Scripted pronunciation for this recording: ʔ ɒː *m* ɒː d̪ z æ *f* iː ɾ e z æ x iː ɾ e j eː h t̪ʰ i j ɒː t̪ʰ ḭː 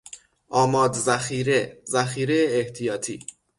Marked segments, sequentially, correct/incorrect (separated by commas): correct, incorrect